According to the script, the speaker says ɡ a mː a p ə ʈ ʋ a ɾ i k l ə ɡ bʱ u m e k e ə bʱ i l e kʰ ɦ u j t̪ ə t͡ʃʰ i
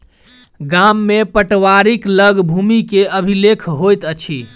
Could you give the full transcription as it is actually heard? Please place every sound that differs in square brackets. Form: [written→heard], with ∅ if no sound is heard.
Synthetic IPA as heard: ɡ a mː [a→e] p ə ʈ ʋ a ɾ i k l ə ɡ bʱ u m [e→i] k e ə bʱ i l e kʰ ɦ [u→o] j t̪ ə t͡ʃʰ i